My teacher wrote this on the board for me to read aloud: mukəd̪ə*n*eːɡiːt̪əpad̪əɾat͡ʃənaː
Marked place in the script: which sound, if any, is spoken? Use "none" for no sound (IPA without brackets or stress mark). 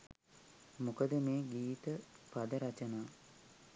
m